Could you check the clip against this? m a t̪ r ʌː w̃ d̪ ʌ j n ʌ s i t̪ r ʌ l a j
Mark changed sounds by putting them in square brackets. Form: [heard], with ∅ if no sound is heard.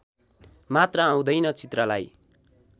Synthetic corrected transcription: m a t̪ r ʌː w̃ d̪ ʌ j n ʌ [t͡s] i t̪ r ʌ l a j

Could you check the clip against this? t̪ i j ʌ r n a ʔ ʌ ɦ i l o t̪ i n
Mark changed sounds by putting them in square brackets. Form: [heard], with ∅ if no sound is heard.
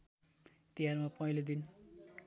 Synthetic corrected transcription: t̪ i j [a] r [m] a [p] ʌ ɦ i l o [d̪] i n

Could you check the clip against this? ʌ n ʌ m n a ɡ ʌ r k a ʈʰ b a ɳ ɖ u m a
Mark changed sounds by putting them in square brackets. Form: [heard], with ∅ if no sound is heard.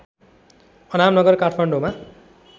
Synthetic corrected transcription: ʌ n [a] m n [ʌ] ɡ ʌ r k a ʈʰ [m] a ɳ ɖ [o] m a

